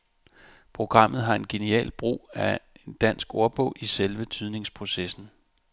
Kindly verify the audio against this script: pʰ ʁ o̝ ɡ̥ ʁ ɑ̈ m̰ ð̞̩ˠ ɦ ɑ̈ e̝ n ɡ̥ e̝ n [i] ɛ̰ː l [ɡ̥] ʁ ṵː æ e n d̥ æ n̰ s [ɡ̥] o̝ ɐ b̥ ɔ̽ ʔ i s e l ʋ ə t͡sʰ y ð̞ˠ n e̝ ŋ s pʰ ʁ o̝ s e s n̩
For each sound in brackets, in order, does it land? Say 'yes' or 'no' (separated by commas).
yes, no, yes